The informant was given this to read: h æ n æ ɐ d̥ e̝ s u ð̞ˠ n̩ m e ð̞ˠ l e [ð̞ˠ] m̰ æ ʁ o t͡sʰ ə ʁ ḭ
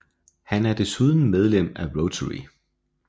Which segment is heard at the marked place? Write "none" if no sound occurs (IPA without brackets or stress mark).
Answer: none